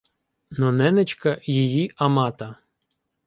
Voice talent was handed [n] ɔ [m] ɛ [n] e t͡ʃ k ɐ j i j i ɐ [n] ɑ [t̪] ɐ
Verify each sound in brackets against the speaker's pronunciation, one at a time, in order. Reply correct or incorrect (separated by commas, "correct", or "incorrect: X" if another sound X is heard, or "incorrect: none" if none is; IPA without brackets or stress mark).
correct, incorrect: n, correct, incorrect: m, correct